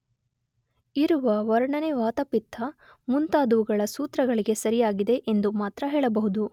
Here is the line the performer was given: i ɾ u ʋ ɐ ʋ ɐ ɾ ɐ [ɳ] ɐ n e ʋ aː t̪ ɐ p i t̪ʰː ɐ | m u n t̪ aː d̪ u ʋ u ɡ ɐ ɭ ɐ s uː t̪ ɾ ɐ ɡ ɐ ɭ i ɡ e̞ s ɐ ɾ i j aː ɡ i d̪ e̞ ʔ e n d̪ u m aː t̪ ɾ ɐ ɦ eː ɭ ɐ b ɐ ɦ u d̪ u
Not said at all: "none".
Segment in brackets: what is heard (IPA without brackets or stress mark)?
ɳ